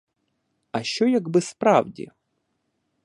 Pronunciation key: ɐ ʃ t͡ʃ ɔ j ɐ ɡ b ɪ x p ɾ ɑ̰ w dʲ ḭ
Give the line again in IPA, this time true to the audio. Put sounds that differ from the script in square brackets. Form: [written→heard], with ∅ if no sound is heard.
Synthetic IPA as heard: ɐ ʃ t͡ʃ ɔ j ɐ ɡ b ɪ [x→s] p ɾ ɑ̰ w dʲ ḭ